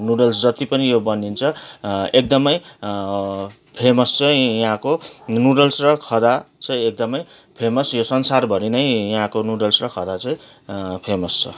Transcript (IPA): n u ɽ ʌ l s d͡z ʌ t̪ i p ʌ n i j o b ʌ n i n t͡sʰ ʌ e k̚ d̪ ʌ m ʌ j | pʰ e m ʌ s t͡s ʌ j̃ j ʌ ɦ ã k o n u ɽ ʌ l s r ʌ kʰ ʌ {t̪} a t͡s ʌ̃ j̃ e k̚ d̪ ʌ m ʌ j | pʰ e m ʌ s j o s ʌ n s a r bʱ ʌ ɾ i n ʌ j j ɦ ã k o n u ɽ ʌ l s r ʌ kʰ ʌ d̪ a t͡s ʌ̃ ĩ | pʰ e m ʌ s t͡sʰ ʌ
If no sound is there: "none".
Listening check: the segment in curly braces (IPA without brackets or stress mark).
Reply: d̪